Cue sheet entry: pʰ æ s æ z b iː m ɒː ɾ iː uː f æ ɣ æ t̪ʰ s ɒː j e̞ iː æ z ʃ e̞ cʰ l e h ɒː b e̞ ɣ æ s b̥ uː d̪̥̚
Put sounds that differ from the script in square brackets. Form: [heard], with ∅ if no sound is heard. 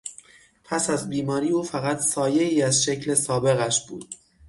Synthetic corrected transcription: pʰ æ s æ z b iː m ɒː ɾ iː uː f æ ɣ æ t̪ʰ s ɒː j e̞ iː æ z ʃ e̞ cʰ l e [s] ɒː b e̞ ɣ æ [ʃ] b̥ uː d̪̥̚